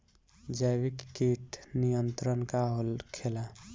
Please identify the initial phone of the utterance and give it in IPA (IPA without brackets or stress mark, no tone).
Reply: d͡ʒ